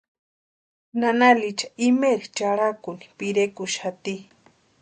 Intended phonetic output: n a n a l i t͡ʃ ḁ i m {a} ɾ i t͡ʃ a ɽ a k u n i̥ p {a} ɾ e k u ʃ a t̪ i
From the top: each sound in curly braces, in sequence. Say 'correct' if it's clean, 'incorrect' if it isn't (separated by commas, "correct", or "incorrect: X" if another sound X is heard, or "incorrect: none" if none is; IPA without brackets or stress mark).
incorrect: e, incorrect: i